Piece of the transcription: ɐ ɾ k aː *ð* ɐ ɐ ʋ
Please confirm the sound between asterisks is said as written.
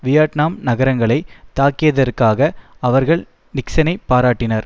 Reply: no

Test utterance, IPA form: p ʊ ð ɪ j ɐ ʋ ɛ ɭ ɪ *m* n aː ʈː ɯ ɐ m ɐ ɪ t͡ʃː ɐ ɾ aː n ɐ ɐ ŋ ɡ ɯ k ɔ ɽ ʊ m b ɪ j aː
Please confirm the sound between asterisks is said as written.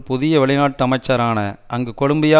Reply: no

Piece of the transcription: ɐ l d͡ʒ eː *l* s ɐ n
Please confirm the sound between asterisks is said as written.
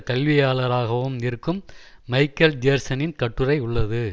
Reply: no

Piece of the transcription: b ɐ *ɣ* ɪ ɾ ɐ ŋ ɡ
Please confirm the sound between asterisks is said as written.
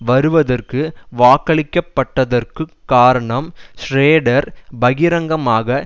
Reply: yes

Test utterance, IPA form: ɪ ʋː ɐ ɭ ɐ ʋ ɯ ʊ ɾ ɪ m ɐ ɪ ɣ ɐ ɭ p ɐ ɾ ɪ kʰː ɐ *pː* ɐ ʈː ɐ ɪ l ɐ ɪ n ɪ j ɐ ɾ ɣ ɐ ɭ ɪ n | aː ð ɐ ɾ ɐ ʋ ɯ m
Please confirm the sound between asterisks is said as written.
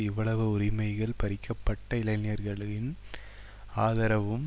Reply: yes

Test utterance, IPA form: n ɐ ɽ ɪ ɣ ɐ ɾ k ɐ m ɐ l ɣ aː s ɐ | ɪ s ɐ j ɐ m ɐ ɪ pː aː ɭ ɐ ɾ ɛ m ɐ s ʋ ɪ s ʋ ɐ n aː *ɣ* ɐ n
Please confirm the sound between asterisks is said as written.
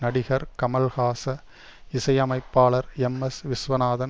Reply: no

